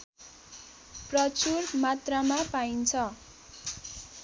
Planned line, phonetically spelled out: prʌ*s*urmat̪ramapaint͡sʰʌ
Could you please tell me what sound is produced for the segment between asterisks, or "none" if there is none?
t͡s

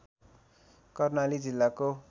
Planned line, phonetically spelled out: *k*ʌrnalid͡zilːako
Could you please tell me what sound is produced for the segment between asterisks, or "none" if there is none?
k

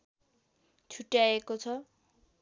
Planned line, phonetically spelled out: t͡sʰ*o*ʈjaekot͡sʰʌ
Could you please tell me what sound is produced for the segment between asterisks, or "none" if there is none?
u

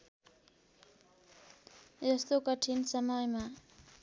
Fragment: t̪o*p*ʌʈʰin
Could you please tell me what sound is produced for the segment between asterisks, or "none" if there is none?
k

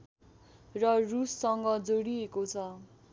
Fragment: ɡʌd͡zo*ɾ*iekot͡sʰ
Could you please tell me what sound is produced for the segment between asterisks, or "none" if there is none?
ɽ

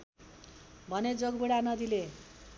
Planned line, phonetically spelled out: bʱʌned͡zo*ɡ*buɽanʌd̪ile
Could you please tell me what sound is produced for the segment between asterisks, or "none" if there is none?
ɡ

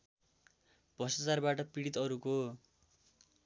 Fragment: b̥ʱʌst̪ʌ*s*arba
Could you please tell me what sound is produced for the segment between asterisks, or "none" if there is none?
t͡s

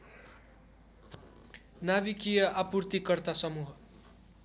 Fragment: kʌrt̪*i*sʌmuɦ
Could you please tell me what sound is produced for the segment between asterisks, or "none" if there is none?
a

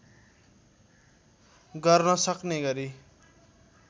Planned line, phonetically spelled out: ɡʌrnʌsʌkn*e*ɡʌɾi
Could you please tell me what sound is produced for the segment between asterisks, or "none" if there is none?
e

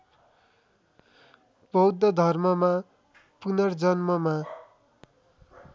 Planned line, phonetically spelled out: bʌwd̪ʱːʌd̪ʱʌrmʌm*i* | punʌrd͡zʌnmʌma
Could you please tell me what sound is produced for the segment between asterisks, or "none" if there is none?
a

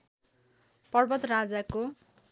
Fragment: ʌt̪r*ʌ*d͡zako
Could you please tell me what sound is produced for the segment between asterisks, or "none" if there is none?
a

